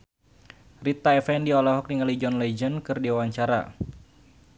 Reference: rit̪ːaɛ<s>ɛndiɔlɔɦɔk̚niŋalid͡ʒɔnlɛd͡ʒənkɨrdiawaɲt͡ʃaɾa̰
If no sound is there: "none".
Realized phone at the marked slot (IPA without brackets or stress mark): f